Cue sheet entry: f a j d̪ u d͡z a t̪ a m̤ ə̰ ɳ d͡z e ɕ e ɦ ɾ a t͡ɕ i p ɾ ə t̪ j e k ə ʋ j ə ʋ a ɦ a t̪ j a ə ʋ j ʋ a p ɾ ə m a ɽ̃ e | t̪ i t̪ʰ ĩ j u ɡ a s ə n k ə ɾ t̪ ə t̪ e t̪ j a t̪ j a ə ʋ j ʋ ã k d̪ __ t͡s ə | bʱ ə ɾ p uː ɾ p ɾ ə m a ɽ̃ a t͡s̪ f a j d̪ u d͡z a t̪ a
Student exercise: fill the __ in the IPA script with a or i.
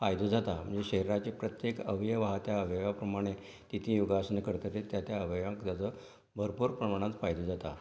a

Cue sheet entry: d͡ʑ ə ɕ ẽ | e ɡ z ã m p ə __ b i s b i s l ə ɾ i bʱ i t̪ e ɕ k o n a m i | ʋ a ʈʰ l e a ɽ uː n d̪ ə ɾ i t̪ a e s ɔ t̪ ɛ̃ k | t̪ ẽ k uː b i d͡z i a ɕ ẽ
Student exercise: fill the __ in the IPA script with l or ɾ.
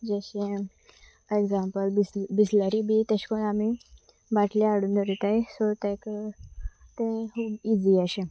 l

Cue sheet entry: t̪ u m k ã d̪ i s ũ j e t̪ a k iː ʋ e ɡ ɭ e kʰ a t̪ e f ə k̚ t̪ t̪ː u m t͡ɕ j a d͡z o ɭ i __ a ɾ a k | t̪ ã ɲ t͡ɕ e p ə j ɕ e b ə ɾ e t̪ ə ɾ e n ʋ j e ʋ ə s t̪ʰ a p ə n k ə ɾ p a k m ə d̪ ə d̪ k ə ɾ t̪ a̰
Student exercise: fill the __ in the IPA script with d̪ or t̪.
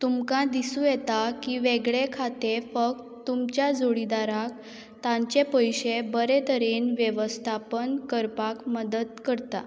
d̪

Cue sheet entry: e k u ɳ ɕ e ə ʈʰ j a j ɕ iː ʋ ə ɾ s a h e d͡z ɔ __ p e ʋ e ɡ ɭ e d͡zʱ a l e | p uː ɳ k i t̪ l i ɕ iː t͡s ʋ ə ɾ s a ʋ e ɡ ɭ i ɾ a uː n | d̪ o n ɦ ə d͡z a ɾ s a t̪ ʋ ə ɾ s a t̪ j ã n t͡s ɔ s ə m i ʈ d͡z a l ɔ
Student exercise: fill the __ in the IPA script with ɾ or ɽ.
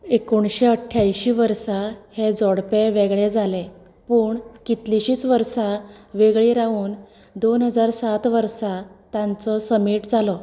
ɽ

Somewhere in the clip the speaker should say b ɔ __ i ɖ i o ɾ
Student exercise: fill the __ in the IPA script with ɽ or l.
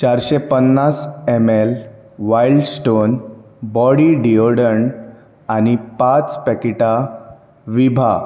ɽ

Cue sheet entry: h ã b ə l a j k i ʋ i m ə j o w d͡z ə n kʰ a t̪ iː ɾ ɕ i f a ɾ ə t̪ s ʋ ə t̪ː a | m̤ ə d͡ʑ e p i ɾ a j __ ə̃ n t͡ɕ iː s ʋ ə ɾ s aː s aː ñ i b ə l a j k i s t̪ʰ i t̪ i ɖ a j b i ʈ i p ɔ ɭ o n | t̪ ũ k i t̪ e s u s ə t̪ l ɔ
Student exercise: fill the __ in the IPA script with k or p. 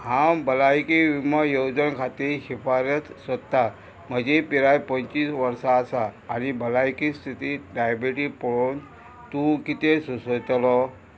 p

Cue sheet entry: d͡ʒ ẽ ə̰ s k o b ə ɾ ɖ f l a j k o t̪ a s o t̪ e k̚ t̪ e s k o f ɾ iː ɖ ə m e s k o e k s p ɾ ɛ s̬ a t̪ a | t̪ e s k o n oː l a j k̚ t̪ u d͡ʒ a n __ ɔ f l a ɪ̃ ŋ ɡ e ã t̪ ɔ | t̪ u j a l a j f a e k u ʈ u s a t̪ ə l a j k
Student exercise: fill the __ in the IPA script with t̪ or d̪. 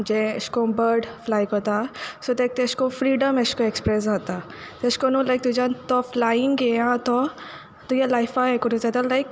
t̪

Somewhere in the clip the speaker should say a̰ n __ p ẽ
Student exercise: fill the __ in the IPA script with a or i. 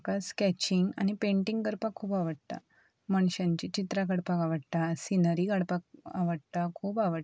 i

